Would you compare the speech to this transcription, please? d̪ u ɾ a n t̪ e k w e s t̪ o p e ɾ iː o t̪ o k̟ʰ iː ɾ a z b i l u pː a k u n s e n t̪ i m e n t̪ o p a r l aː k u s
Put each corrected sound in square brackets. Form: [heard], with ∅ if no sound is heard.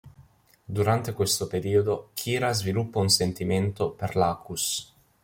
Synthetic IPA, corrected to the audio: d̪ u ɾ a n t̪ e k w e s t̪ o p e ɾ iː o [d̪] o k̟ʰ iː ɾ a z [v] i l u pː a [∅] u n s e n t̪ i m e n t̪ o p [e] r l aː k u s